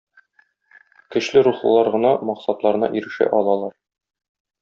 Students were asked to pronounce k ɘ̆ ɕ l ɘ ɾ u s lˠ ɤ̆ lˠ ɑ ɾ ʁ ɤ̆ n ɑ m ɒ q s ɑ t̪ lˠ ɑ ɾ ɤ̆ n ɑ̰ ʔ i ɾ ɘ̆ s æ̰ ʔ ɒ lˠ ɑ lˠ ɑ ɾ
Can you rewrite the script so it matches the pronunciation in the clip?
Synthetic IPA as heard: k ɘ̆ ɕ l ɘ ɾ u χ lˠ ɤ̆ lˠ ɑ ɾ ʁ ɤ̆ n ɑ m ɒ q s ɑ t̪ lˠ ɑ ɾ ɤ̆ n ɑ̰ ʔ i ɾ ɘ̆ ʃ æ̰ ʔ ɒ lˠ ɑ lˠ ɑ ɾ